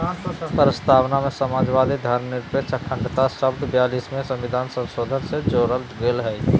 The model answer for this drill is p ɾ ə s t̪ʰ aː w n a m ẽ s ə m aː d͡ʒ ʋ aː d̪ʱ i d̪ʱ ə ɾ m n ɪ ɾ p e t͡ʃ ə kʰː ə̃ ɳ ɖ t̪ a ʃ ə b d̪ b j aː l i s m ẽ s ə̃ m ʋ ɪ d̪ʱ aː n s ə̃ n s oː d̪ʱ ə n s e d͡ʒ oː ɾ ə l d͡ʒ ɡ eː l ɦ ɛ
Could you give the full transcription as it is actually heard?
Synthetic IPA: p ɾ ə s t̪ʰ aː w n a m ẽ s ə m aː d͡ʒ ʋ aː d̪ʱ i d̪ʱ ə ɾ m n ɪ ɾ p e t͡ʃ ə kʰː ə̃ ɳ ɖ t̪ a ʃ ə b d̪ b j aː l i s m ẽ s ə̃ m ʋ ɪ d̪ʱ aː n s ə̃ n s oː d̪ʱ ə n s e d͡ʒ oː ɾ ə l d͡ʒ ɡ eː l ɦ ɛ